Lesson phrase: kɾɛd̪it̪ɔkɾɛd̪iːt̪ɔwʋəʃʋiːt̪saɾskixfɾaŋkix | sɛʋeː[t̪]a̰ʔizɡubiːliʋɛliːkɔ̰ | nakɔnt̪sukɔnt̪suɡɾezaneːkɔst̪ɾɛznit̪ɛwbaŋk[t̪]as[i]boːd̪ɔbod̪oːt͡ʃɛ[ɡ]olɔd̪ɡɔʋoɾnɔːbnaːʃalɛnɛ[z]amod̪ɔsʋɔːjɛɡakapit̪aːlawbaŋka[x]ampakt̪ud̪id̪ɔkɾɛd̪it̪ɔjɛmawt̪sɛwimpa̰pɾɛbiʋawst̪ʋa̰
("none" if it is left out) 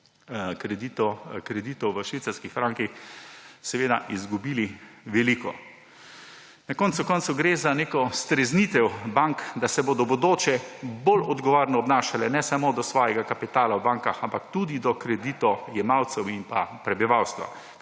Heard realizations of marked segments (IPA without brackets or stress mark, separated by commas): d̪, d̪, ɛ, b, s, x